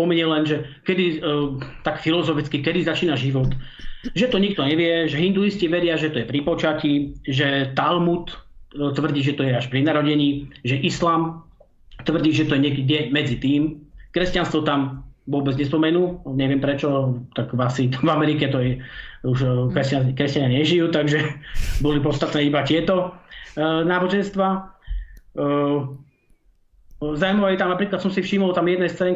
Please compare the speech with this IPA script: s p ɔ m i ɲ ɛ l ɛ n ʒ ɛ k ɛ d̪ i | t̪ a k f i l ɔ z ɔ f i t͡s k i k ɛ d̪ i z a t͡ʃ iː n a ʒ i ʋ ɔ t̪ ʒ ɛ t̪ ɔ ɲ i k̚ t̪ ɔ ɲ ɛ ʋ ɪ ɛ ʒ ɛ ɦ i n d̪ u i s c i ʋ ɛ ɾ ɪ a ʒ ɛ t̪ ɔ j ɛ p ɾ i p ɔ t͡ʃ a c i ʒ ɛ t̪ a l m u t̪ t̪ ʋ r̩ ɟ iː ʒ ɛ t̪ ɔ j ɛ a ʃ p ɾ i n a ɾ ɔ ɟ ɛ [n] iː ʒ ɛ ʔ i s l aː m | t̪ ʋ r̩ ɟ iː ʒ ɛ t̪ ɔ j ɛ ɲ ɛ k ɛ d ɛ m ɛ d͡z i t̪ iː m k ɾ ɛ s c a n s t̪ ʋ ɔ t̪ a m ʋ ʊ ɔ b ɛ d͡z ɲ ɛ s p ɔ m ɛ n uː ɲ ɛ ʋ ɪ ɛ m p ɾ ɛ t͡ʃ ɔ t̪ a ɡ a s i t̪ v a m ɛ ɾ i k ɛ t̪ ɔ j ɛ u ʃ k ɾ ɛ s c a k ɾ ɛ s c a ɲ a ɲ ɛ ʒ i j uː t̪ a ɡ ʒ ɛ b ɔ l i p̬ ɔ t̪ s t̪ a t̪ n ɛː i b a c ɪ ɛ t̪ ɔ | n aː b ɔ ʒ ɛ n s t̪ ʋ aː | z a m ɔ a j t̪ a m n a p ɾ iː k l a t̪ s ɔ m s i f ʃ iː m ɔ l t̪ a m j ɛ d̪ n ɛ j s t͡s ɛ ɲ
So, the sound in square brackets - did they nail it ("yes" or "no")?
no